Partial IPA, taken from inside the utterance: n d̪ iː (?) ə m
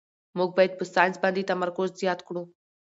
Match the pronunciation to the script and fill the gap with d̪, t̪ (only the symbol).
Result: t̪